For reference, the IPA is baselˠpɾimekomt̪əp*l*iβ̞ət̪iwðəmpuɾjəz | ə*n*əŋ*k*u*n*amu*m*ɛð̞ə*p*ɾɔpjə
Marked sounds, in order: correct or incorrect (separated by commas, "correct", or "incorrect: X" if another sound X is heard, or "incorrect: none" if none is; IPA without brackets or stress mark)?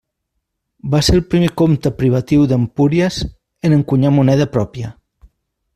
incorrect: ɾ, correct, correct, incorrect: ɲ, incorrect: n, correct